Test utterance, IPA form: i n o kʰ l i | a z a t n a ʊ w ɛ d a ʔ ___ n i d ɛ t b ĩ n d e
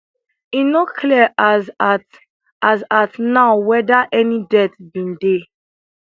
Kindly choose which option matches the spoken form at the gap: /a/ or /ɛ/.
ɛ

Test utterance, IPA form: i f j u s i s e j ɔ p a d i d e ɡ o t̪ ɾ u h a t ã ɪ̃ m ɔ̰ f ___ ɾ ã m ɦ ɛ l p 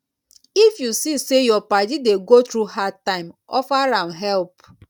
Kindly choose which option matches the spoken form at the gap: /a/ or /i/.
a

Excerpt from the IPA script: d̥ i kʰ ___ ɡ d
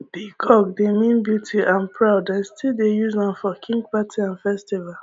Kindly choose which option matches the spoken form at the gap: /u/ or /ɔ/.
ɔ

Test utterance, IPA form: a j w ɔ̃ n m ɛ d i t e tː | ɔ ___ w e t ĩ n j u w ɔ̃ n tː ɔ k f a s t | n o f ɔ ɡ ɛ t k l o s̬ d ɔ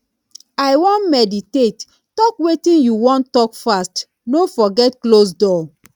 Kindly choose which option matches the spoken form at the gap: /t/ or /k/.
k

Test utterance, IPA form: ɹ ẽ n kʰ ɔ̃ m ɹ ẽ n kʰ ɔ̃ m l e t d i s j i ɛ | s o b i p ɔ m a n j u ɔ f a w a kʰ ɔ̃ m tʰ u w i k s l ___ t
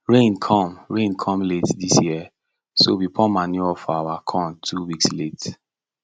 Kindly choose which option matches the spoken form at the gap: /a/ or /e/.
e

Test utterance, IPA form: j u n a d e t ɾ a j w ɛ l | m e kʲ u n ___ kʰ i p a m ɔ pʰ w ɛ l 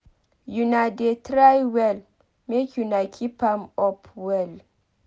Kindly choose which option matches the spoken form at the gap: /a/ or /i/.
a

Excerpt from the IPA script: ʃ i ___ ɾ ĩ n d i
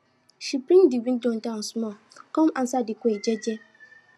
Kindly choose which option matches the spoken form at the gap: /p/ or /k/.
p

